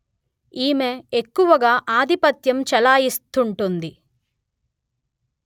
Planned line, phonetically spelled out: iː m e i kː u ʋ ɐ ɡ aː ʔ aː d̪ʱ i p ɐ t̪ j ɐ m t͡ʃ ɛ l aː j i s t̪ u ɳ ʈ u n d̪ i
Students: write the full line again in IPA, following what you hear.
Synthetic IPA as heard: iː m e e kː u ʋ ɐ ɡ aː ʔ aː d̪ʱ i p ɐ t̪ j ɐ m t͡ʃ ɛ l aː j i s t̪ u ɳ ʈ u n d̪ i